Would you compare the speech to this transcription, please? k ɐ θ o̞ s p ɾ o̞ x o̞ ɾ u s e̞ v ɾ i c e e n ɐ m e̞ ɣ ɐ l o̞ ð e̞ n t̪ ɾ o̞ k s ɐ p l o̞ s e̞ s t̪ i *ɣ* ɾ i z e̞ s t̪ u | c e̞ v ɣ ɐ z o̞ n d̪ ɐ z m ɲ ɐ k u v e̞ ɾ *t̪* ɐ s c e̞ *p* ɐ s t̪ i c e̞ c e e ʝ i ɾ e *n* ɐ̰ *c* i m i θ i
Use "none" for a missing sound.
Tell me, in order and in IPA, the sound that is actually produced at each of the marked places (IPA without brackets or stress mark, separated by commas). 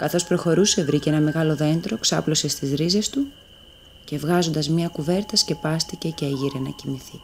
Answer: z, t̪, p, n, c